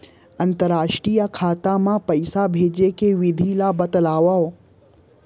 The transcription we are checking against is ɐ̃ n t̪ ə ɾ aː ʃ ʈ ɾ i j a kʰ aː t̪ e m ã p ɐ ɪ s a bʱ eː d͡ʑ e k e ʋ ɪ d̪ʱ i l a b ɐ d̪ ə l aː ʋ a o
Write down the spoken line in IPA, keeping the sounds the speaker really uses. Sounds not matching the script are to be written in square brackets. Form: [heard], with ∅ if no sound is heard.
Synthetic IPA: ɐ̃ n t̪ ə ɾ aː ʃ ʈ ɾ i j a kʰ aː t̪ [a] m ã p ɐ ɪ s a bʱ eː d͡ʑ e k e ʋ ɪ d̪ʱ i l a b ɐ [t̪] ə l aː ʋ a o